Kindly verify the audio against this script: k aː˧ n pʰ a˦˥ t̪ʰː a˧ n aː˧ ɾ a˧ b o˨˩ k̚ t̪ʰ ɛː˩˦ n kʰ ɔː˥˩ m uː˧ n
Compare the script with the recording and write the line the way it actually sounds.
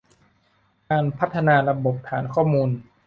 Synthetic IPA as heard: k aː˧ n pʰ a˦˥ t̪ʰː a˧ n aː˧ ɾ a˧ b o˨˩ p̚ t̪ʰ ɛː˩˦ n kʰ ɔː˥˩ m uː˧ n